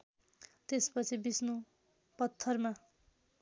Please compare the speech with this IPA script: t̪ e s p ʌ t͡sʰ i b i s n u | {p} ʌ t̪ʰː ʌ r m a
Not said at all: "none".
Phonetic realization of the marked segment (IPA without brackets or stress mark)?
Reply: p